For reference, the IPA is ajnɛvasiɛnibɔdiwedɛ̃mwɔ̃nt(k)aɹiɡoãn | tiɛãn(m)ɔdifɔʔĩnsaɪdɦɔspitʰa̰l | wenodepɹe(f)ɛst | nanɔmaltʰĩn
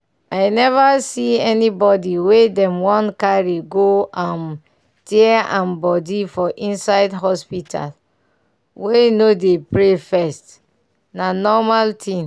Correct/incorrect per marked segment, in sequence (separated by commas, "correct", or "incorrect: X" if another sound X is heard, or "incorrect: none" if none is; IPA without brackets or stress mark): correct, incorrect: b, correct